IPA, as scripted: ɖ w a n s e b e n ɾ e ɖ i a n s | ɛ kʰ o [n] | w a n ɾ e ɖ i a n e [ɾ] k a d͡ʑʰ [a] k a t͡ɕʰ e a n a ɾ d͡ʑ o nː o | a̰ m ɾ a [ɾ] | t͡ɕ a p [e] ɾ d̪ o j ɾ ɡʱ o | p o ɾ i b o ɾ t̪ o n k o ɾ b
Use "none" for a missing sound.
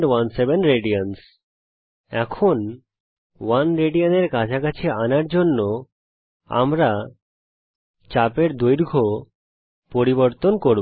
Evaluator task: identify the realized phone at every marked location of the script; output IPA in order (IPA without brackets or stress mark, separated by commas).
n, ɾ, a, none, e